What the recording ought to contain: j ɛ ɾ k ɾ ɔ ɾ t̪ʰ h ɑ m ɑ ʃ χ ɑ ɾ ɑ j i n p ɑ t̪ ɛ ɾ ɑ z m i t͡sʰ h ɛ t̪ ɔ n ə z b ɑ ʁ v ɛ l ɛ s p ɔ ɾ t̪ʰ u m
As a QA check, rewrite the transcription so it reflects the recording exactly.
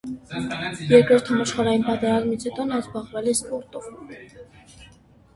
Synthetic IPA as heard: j ɛ ɾ k ɾ ɔ ɾ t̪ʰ h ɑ m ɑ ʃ χ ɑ ɾ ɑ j i n p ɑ t̪ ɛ ɾ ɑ z m i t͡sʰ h ɛ t̪ ɔ n ɑ z b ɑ ʁ v ɛ l ɛ s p ɔ ɾ t̪ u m